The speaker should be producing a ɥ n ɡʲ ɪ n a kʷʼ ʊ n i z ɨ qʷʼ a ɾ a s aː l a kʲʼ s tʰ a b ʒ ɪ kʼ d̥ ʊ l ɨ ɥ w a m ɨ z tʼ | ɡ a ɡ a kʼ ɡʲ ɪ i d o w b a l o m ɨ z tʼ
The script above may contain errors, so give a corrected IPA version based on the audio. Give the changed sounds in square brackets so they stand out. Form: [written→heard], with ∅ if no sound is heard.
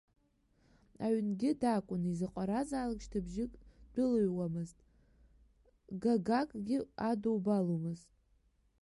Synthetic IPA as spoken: a ɥ n ɡʲ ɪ [n→d] a kʷʼ ʊ n i z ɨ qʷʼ a ɾ a [s→z] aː l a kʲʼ [s→ʃ] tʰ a b ʒ ɪ kʼ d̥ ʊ l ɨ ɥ w a m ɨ z tʼ | ɡ a ɡ a kʼ ɡʲ ɪ [i→a] d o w b a l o m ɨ z tʼ